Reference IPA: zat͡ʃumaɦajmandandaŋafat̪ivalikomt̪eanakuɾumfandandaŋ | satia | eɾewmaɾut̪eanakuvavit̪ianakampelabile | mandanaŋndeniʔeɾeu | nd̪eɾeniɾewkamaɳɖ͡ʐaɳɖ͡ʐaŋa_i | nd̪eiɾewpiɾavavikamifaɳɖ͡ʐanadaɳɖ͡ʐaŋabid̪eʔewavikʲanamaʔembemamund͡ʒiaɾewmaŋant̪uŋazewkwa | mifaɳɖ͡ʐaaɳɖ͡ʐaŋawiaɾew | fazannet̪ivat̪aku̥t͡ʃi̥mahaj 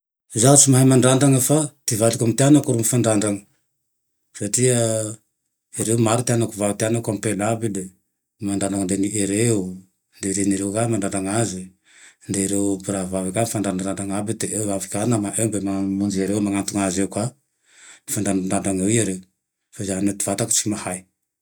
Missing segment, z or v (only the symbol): z